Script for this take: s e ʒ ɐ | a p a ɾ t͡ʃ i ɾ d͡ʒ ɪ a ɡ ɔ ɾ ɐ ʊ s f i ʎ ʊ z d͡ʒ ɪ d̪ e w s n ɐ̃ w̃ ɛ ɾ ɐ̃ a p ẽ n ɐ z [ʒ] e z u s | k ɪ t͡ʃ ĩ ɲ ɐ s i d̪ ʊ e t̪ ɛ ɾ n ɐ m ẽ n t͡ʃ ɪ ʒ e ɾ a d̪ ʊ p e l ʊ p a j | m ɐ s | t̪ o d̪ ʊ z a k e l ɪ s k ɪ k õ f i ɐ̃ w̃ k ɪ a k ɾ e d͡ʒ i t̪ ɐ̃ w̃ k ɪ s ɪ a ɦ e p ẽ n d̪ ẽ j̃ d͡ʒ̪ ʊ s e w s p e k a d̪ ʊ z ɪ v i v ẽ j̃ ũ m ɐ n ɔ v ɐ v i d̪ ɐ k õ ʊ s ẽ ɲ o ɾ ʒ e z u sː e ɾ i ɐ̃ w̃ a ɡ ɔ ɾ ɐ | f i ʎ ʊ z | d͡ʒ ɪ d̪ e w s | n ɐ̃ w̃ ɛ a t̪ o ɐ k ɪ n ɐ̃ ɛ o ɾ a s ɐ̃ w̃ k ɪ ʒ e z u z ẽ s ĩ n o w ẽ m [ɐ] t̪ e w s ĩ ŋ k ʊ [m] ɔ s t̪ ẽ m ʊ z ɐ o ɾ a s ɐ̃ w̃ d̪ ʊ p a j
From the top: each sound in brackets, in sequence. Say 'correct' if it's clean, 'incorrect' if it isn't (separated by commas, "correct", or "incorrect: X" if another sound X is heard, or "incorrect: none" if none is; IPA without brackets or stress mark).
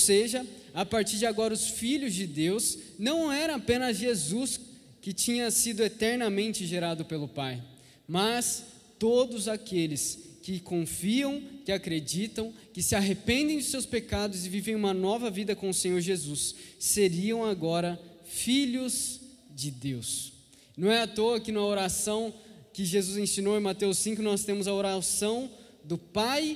correct, incorrect: a, incorrect: n